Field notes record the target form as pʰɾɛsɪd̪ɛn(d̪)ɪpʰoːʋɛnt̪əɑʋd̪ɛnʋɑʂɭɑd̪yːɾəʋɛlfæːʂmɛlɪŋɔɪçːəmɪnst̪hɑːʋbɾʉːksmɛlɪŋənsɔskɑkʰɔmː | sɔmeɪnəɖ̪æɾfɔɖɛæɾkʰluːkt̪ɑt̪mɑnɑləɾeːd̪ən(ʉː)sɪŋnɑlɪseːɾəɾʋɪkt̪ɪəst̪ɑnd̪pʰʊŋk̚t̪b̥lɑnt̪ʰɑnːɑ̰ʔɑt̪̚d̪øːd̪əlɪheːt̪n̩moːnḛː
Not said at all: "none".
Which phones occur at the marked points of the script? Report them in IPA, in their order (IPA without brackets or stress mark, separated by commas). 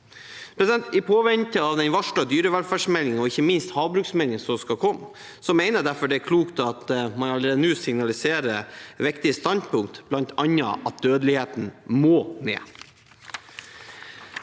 t̪, ʉː